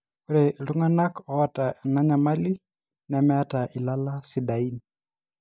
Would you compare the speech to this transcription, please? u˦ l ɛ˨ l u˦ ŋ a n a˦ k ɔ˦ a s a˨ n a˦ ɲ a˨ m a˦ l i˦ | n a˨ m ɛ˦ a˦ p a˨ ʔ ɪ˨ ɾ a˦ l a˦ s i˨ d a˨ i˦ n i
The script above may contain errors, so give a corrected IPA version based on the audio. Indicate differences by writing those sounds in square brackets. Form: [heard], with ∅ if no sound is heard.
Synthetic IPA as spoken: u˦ [ɾ] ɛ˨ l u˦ ŋ a n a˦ k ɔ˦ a [t] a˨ n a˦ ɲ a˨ m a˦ l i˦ | n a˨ m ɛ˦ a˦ [t] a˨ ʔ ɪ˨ [l] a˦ l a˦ s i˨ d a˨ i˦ n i